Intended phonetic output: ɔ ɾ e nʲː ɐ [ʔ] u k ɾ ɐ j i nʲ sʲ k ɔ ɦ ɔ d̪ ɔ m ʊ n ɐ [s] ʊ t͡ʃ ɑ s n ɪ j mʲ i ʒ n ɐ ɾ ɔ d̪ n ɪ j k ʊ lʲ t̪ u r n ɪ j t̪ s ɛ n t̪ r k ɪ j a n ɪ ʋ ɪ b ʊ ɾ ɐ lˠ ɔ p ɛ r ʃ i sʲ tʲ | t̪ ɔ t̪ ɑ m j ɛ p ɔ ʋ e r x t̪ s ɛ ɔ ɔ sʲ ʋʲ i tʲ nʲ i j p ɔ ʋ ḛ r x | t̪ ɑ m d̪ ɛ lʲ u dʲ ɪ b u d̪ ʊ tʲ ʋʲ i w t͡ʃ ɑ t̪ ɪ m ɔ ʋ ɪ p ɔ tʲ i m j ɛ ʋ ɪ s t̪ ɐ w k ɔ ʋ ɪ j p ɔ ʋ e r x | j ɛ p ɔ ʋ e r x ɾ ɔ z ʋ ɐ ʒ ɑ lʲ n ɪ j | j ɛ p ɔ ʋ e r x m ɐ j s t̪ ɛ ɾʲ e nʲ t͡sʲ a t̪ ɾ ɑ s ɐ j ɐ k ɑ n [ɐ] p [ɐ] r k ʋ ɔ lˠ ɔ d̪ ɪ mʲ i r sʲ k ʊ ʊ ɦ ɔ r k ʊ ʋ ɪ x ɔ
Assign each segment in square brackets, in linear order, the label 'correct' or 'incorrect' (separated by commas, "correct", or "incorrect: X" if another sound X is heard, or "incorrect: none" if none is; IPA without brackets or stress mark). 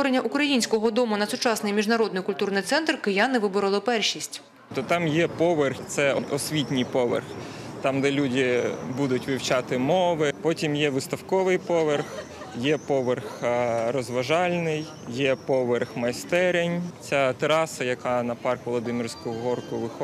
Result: correct, correct, correct, incorrect: ɑ